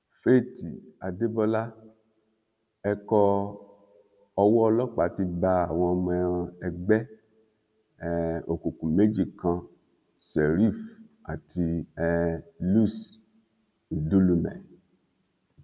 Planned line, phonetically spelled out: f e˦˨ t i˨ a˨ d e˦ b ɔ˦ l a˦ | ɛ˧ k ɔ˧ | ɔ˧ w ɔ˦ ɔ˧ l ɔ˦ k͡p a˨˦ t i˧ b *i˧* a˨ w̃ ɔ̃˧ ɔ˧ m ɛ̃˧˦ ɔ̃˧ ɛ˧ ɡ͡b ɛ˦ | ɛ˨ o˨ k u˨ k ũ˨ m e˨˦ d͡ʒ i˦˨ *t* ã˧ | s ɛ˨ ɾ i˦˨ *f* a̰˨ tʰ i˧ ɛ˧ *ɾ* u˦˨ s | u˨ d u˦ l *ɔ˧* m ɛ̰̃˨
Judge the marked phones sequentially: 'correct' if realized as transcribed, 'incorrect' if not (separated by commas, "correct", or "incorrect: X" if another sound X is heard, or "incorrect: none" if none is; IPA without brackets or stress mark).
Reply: incorrect: a˧, incorrect: k, correct, incorrect: l, incorrect: u˧